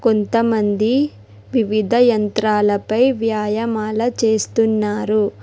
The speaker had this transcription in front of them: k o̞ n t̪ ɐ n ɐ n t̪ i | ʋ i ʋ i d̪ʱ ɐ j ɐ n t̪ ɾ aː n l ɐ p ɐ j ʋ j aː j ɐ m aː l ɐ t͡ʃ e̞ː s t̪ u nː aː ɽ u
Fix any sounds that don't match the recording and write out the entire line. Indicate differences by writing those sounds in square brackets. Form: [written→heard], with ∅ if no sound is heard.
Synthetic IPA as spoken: k o̞ n t̪ ɐ [n→m] ɐ n [t̪→d̪] i | ʋ i ʋ i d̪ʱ ɐ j ɐ n t̪ ɾ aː [n→∅] l ɐ p ɐ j ʋ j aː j ɐ m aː l ɐ t͡ʃ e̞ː s t̪ u nː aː [ɽ→ɾ] u

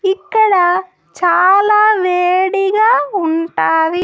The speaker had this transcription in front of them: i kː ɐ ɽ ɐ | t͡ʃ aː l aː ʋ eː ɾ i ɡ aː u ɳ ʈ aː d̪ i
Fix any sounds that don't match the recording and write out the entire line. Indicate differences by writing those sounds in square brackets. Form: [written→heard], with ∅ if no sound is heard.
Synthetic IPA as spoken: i kː ɐ ɽ ɐ | t͡ʃ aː l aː ʋ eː [ɾ→ɽ] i ɡ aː u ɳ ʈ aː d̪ i

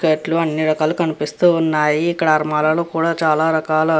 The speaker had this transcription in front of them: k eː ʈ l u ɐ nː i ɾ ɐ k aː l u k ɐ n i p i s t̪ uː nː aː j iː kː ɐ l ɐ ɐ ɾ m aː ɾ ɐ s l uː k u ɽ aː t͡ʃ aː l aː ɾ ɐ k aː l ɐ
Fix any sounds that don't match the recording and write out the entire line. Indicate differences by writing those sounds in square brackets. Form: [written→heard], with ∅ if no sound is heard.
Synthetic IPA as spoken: k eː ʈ l u ɐ nː i ɾ ɐ k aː l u k ɐ n i p i s t̪ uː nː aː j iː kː ɐ [l→ɽ] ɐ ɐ ɾ m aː [ɾ→l] ɐ [s→∅] l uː k [u→uː] ɽ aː t͡ʃ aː l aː ɾ ɐ k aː l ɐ

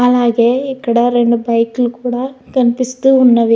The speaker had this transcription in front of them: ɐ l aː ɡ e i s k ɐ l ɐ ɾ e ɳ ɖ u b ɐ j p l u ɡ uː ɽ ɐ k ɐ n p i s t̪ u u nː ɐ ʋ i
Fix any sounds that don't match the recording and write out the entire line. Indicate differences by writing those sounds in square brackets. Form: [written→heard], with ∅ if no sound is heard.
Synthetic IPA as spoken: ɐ l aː ɡ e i [s→∅] k ɐ [l→ɽ] ɐ ɾ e ɳ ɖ u b ɐ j [p→k] l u [ɡ→k] uː ɽ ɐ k ɐ n p i s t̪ u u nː ɐ ʋ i

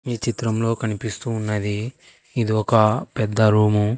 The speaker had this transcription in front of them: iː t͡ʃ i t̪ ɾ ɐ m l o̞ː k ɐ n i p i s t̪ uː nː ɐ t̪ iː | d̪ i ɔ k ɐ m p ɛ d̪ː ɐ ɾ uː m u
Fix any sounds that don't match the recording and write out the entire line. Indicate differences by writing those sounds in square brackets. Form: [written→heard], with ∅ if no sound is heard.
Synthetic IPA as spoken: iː t͡ʃ i t̪ ɾ ɐ m l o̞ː k ɐ n i p i s t̪ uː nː ɐ [t̪→d̪] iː | d̪ i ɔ k ɐ [m→∅] p ɛ d̪ː ɐ ɾ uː m u

